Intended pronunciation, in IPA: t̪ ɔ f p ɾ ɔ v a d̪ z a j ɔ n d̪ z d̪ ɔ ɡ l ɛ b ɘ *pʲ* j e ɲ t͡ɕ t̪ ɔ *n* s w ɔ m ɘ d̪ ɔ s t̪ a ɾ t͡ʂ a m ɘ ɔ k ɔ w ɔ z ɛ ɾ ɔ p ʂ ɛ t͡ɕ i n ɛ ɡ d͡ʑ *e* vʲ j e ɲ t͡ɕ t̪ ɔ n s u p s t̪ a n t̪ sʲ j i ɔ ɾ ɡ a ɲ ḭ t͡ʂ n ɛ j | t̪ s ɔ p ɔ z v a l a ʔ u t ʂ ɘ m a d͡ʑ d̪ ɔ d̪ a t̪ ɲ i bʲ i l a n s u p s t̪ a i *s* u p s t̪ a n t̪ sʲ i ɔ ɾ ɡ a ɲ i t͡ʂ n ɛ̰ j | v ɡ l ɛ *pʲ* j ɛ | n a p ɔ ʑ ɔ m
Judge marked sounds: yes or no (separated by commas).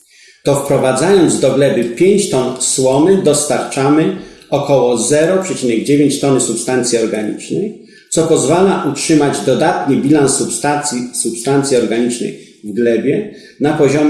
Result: yes, yes, yes, yes, no